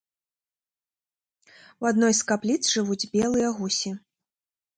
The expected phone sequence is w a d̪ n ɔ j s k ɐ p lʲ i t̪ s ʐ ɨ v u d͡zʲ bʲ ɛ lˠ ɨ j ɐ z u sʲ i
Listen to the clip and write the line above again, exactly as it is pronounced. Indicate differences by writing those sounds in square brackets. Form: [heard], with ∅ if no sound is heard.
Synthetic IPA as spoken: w a d̪ n ɔ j s k [a] p lʲ i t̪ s ʐ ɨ v u d͡zʲ bʲ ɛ lˠ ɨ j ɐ [ɣ] u sʲ i